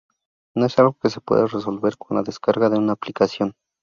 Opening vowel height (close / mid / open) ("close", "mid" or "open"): mid